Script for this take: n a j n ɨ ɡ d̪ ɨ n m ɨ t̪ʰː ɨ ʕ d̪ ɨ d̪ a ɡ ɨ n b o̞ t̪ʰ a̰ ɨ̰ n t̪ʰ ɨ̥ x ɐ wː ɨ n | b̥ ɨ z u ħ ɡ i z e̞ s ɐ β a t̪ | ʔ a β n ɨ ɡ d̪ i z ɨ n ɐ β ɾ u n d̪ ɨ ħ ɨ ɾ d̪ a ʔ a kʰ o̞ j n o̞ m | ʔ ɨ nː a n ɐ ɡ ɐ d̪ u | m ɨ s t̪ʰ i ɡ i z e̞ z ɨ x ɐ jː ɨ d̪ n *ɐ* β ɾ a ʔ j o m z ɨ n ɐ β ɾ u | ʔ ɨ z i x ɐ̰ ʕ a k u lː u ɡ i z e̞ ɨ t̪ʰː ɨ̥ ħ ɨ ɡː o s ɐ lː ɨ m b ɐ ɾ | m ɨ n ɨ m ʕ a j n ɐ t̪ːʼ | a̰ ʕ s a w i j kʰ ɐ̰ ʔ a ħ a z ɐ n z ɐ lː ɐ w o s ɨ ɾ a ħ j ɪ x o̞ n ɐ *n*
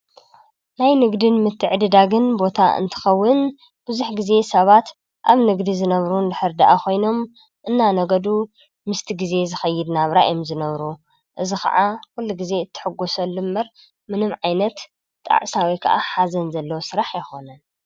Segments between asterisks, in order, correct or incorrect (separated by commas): incorrect, correct